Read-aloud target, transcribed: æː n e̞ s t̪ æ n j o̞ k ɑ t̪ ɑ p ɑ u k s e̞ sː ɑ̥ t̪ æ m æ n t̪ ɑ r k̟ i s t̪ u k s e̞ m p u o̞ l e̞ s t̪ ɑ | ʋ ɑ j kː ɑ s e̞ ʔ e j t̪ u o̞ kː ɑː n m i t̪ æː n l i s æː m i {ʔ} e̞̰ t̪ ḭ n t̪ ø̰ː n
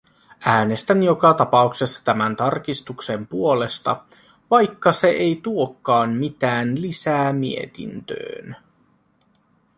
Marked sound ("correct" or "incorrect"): incorrect